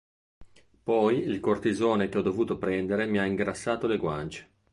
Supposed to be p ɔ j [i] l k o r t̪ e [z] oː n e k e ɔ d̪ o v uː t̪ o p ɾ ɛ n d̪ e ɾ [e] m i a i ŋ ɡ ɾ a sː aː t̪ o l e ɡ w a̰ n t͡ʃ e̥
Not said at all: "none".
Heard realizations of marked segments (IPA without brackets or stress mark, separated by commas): i, z, e